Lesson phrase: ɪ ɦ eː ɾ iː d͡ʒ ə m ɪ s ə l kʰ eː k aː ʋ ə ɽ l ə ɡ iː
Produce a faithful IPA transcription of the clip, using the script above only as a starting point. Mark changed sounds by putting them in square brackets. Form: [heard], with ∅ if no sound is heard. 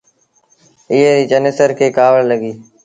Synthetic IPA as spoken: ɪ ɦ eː ɾ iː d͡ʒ ə [n] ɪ s ə [ɾ] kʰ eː k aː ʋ ə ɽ l ə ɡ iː